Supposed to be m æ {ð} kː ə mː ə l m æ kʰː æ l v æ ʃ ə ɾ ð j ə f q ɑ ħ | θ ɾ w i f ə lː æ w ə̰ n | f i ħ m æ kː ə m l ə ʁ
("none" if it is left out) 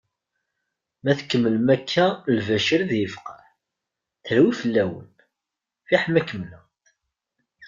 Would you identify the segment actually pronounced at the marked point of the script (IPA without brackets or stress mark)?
θ